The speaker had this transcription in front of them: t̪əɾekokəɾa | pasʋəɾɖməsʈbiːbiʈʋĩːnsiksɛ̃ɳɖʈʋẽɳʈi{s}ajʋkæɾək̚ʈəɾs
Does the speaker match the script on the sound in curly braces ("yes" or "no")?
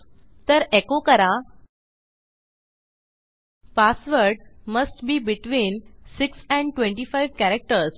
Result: no